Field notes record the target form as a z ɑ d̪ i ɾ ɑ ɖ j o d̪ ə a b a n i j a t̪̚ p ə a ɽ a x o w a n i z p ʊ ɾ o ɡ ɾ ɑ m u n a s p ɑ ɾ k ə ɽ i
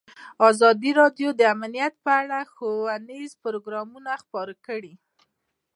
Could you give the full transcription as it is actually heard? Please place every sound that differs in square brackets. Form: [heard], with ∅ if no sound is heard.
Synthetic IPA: [ɑ] z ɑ d̪ i ɾ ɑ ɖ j o d̪ ə a [m] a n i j a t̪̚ p ə a ɽ a x o w a n i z p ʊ ɾ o ɡ ɾ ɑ m u n a [x] p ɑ ɾ k ə ɽ i

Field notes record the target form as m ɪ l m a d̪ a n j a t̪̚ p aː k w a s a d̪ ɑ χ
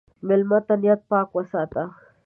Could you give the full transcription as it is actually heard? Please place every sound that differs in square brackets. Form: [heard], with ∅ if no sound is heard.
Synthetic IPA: m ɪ l m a [t̪] a n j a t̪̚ p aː k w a s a [t̪] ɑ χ

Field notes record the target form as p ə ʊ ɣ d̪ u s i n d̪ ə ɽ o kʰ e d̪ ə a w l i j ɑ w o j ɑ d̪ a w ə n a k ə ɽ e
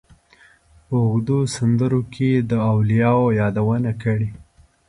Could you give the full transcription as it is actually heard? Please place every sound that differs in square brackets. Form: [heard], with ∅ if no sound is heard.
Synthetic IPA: p ə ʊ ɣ d̪ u s [a] n d̪ ə [ɾ] o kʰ e d̪ ə a w l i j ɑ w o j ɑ d̪ a w ə n a k ə ɽ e

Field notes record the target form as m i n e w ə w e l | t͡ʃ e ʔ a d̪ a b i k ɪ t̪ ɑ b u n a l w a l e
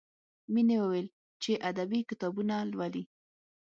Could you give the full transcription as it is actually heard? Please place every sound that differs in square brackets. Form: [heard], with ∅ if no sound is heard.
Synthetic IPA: m i n e w ə w e l | t͡ʃ e ʔ a d̪ a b i k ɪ t̪ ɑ b u n a l w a l [i]

